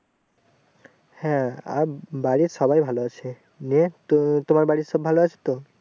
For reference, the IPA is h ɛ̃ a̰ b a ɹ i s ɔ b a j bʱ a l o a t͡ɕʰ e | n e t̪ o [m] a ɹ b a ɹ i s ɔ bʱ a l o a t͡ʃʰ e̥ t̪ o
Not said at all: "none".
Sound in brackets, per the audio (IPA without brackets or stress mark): m